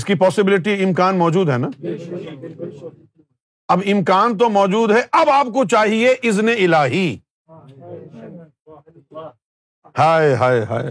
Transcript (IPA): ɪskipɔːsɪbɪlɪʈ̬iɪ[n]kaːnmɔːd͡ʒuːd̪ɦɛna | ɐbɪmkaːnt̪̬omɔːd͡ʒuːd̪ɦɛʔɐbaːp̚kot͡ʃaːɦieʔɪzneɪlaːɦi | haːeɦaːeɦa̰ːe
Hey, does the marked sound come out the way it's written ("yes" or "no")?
no